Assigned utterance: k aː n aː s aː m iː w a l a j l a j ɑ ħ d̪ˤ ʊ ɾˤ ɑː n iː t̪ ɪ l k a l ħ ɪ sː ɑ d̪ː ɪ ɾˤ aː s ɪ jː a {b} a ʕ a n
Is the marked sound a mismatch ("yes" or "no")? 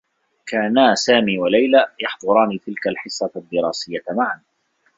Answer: yes